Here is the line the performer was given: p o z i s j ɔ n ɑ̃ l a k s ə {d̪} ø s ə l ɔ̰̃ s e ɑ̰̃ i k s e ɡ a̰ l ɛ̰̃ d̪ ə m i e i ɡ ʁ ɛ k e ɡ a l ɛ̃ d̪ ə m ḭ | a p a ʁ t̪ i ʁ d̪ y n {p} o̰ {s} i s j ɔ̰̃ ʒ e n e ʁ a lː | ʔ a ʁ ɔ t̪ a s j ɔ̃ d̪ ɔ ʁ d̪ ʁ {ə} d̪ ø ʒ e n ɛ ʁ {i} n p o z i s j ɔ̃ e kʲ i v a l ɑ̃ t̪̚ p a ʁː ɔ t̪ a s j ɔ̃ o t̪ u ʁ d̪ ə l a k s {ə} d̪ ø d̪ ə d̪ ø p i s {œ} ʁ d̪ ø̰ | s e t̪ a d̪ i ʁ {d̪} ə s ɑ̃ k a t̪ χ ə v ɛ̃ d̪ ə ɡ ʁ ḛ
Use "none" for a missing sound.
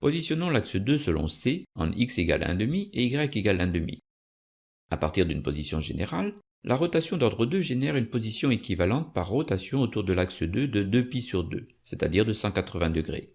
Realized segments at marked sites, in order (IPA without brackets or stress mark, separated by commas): d̪, p, z, ə, y, ə, y, d̪